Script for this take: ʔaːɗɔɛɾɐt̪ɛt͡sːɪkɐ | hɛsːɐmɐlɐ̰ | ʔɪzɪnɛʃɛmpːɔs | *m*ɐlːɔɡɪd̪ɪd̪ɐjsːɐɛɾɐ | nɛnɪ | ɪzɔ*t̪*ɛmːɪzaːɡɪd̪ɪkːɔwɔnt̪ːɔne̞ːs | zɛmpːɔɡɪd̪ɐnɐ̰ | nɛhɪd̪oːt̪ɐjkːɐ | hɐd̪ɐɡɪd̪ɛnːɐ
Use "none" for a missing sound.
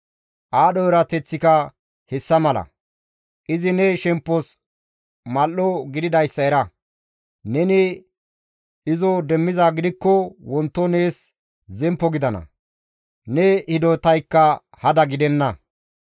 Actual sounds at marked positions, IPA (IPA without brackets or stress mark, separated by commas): m, d̪